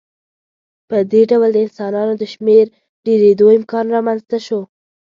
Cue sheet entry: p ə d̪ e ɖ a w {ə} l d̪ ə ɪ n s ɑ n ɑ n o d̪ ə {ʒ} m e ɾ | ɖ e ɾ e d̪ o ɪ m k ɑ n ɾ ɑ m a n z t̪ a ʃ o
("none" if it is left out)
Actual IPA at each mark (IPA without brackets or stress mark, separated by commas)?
ə, ʃ